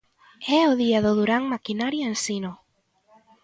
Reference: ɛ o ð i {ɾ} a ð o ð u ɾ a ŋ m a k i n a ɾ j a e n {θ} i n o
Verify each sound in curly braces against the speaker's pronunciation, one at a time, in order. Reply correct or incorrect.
incorrect: none, incorrect: s

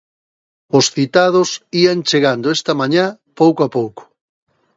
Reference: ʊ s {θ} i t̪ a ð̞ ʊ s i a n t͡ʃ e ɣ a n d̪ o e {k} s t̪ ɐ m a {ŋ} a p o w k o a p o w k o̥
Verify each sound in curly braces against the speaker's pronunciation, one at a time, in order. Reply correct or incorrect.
correct, incorrect: none, incorrect: ɲ

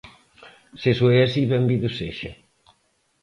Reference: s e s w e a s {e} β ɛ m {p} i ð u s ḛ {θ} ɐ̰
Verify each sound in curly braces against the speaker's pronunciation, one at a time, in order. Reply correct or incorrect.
incorrect: i, incorrect: b, incorrect: ʃ

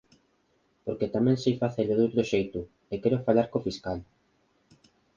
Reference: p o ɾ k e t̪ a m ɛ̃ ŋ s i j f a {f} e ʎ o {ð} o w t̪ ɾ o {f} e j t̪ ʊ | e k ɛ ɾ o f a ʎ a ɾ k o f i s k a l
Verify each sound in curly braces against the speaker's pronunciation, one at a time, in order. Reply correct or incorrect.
incorrect: θ, correct, incorrect: ʃ

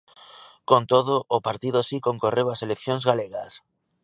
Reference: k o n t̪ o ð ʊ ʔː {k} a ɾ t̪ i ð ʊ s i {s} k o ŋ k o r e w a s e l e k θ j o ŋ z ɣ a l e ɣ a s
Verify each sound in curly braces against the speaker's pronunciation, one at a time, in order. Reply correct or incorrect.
incorrect: p, incorrect: none

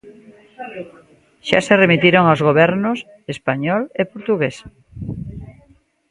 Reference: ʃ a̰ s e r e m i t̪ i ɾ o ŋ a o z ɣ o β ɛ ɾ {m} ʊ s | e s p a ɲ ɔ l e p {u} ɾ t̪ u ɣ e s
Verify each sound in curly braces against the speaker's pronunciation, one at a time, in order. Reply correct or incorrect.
incorrect: n, incorrect: o

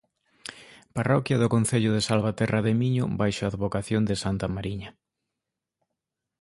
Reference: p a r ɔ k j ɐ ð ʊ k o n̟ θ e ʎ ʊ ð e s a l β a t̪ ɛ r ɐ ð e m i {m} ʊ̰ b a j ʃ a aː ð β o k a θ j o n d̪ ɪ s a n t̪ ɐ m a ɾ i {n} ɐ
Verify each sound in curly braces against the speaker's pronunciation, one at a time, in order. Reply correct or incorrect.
incorrect: ɲ, incorrect: ɲ

